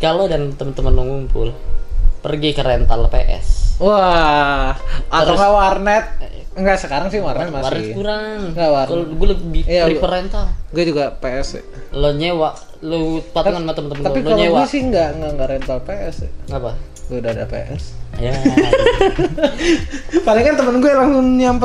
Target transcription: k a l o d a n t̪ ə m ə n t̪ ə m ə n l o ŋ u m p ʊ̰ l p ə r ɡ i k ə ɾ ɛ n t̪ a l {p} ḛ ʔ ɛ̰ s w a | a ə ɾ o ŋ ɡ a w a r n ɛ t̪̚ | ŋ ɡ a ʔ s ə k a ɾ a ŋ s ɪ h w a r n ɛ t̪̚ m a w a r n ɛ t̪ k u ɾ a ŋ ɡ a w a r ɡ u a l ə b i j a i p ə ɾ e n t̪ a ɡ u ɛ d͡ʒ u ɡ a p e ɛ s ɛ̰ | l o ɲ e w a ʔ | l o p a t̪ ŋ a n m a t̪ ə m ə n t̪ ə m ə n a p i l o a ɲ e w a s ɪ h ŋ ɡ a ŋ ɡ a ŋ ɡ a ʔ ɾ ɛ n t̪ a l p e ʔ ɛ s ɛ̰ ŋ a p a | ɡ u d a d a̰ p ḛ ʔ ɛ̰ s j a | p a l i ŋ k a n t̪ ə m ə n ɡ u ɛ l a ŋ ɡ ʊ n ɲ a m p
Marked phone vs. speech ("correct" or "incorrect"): correct